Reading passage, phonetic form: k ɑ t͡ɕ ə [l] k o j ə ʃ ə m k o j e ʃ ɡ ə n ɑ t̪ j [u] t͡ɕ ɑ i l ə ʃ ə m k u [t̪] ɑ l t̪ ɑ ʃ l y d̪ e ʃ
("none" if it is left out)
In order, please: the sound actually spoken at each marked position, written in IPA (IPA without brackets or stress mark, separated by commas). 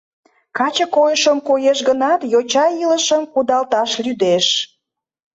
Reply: none, o, d̪